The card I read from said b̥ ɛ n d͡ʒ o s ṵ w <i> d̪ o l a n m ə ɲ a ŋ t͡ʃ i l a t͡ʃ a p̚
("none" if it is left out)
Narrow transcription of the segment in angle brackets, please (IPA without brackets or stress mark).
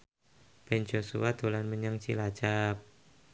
a